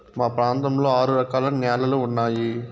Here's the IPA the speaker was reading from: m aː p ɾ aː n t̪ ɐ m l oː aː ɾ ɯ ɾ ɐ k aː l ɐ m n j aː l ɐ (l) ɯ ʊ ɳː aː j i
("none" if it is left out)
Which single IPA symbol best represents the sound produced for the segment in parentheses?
l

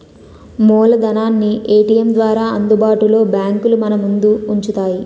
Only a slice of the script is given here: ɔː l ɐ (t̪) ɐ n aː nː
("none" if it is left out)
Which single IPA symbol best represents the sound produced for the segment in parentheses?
d̪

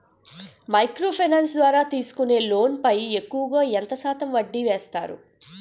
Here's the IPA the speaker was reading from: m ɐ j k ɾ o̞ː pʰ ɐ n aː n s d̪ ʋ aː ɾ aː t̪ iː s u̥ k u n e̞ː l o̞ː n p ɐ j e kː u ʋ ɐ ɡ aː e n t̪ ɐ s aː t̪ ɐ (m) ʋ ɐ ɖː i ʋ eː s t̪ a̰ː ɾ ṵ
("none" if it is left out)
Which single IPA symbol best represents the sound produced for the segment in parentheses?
m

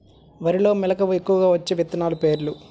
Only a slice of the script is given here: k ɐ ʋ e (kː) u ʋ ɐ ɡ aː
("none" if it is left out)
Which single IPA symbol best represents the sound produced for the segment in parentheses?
kː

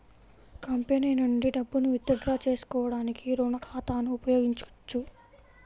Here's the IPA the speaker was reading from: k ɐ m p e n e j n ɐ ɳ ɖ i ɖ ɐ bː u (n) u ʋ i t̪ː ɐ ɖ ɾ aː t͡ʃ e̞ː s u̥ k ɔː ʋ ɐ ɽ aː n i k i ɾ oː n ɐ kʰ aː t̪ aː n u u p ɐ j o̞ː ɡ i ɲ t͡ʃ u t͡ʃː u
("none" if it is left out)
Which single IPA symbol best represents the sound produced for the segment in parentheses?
n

